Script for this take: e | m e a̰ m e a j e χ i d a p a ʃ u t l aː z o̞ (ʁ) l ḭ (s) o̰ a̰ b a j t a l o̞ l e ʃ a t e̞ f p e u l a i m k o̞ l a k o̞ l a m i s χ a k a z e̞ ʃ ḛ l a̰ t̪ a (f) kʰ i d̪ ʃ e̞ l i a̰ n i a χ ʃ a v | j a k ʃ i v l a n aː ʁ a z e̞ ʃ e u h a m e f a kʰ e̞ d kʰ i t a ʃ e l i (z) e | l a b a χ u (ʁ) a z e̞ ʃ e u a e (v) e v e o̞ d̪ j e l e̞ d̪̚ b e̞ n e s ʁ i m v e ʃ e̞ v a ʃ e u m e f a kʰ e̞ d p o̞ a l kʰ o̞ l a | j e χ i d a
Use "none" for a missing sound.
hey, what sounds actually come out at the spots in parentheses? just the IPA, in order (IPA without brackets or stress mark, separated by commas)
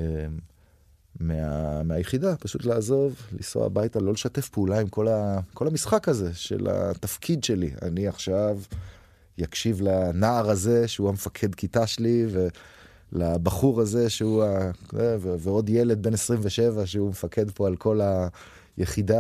v, s, f, v, ʁ, v